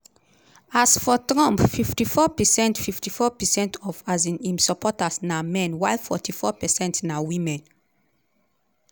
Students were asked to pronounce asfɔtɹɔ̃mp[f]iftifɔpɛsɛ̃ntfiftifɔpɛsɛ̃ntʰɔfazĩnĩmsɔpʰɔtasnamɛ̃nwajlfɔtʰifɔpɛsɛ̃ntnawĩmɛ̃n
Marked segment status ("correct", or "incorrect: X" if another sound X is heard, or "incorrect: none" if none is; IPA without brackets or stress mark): correct